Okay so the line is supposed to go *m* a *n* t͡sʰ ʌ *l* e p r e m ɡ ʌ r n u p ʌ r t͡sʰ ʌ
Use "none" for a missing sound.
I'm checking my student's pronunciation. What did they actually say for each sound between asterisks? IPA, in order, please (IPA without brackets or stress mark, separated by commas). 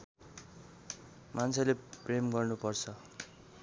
m, n, l